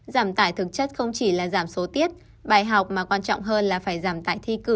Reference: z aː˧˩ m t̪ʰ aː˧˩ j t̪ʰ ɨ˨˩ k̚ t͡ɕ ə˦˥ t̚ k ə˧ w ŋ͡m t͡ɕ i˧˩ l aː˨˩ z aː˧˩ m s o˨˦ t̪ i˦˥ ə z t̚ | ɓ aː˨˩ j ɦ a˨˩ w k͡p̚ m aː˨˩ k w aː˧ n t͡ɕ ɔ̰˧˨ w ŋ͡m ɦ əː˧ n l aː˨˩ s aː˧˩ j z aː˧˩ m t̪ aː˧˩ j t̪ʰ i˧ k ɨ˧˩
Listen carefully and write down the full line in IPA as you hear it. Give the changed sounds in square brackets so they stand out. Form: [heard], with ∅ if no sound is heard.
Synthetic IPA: z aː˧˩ m [t̪] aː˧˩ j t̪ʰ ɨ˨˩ k̚ t͡ɕ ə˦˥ t̚ [x] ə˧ w ŋ͡m t͡ɕ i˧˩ l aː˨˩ z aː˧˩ m s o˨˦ t̪ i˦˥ ə [∅] t̚ | ɓ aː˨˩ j ɦ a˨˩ w k͡p̚ m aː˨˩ k w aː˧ n t͡ɕ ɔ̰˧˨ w ŋ͡m ɦ əː˧ n l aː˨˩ [f] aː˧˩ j z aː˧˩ m t̪ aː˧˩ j t̪ʰ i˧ k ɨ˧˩